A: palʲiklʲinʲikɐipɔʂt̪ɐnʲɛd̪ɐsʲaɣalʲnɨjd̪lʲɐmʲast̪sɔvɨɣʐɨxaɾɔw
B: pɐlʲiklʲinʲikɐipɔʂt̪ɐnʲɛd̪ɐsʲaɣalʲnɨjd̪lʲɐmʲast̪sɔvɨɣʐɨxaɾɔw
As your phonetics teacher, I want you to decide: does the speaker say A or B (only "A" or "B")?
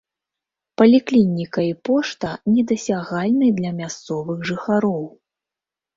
B